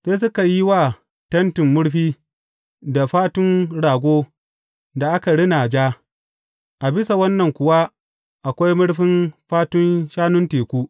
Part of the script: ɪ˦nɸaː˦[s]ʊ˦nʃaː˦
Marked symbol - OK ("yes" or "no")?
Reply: no